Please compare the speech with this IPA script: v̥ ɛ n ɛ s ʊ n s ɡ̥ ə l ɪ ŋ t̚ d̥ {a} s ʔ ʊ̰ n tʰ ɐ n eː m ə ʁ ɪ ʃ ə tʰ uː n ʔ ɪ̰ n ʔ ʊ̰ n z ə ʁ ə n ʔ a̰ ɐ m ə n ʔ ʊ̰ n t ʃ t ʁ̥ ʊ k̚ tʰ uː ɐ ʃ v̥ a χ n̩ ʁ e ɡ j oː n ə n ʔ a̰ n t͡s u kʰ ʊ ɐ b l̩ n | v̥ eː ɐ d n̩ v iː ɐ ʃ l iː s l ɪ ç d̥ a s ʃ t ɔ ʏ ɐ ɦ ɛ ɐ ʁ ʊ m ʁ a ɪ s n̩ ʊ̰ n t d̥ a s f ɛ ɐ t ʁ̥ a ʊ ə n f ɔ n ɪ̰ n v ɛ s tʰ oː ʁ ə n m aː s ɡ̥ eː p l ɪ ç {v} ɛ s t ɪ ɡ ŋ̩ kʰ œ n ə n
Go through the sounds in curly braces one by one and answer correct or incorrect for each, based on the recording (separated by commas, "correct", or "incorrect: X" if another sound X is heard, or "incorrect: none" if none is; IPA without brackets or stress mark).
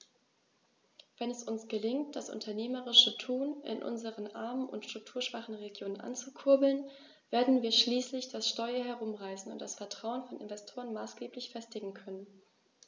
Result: correct, incorrect: f